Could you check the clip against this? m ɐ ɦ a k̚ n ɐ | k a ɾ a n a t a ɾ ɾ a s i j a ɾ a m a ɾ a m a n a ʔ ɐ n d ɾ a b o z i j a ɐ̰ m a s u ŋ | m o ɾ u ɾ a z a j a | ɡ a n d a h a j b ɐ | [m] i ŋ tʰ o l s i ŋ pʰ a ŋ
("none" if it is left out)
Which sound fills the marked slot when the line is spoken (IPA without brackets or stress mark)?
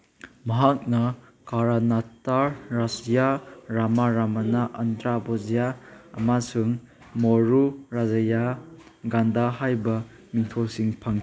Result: m